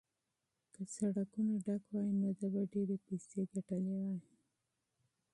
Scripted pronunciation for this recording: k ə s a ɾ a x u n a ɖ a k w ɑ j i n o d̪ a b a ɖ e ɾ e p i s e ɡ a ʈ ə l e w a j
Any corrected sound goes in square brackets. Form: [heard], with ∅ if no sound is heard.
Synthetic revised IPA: k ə s a [ɽ] a [k] u n a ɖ a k w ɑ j i n o d̪ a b a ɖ e ɾ e p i s e ɡ a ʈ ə l e w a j